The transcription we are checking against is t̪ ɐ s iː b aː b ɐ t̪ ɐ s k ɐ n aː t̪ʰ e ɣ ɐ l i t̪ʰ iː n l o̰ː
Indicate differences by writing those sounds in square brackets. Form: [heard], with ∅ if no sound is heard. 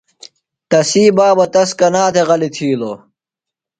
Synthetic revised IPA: t̪ ɐ s iː b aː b ɐ t̪ ɐ s k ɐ n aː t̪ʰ e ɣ ɐ l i t̪ʰ iː [∅] l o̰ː